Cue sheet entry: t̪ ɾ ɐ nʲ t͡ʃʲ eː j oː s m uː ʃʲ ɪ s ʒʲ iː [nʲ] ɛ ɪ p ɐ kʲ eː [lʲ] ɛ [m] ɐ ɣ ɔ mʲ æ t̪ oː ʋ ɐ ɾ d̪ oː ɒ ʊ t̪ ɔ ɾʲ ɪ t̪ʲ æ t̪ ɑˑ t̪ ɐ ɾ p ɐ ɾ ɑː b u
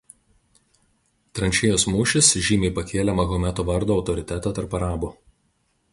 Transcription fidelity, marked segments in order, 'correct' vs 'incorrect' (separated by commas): incorrect, correct, correct